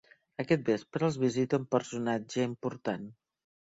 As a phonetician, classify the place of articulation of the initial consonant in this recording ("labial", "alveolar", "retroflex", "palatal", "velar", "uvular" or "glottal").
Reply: velar